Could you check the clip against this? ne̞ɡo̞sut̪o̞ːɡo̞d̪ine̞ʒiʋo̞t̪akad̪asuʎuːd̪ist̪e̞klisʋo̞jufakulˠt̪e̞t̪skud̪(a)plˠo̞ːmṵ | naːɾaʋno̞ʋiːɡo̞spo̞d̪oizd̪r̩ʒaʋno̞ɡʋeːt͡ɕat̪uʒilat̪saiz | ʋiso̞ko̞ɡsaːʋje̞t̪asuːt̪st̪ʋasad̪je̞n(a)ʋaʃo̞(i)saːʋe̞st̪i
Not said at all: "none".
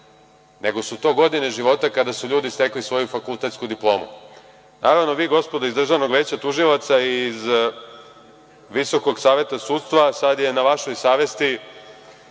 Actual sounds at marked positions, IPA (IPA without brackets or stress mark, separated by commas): i, a, j